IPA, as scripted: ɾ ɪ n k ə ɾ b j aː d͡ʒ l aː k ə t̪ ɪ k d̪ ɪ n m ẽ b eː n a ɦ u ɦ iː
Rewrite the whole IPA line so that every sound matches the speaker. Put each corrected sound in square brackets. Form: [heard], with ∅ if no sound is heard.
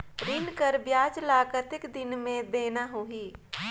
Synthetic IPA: ɾ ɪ n k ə ɾ b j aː d͡ʒ l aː k ə t̪ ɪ k d̪ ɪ n m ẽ b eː n a ɦ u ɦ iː